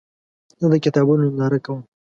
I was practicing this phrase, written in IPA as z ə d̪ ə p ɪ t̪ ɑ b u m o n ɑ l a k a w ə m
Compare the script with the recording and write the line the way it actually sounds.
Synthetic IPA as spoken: z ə d̪ ə k ɪ t̪ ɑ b u n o n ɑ ɾ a k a w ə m